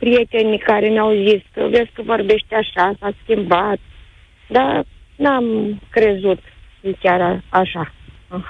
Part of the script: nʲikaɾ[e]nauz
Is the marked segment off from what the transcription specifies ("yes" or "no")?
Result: no